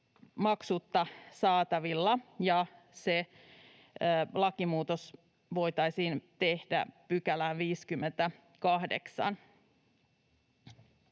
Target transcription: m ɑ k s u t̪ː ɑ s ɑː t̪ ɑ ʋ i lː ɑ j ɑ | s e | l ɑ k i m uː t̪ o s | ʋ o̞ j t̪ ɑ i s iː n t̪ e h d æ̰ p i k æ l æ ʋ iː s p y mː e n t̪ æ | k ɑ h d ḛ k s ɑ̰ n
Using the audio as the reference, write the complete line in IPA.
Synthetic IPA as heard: m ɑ k s u t̪ː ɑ s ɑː t̪ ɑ ʋ i lː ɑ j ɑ | s e | l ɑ k i m uː t̪ o s | ʋ o̞ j t̪ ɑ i s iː n t̪ e h d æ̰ p y k æ l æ ʋ iː s k y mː e n t̪ æ | k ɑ h d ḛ k s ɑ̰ n